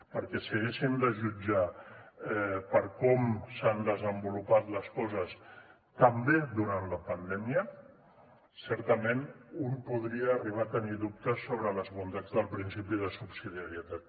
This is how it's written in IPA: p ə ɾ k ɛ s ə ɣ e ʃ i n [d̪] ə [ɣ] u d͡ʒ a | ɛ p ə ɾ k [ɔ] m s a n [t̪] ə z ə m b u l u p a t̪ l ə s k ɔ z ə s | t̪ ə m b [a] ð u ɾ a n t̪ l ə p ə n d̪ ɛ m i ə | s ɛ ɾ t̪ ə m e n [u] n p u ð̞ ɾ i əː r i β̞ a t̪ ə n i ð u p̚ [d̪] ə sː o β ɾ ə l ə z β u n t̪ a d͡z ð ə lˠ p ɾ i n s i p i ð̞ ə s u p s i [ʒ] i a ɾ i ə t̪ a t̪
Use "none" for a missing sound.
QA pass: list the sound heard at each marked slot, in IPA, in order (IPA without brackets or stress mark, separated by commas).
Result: d̪, ʒ, ɔ, d̪, e, u, t̪, ð